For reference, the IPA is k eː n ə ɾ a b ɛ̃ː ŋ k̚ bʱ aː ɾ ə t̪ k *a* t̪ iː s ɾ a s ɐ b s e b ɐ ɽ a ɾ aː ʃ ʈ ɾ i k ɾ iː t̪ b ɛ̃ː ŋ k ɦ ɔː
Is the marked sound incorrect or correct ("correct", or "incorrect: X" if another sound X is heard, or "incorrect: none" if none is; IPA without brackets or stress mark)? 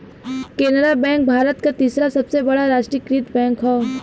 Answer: correct